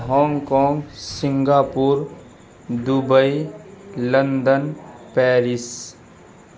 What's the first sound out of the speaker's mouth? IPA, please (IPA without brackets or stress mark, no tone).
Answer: ɦ